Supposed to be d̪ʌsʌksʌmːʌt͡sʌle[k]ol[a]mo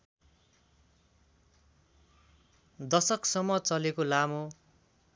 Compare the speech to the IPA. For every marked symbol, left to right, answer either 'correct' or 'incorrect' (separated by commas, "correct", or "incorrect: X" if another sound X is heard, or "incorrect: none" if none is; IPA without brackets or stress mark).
correct, correct